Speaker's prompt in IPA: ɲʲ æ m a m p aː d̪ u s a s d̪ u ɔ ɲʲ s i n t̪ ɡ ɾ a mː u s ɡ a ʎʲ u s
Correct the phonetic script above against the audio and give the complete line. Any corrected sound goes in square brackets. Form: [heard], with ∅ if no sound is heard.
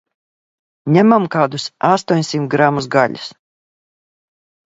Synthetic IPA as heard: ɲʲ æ m a m [k] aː d̪ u s a s [t̪] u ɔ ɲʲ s i [m] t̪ ɡ ɾ a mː u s ɡ a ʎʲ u s